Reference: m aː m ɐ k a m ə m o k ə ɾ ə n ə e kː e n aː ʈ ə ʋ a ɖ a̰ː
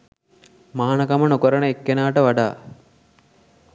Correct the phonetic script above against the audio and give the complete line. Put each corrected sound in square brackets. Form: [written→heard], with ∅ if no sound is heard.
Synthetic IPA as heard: m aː [m→n] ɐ k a m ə [m→n] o k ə ɾ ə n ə e kː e n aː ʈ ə ʋ a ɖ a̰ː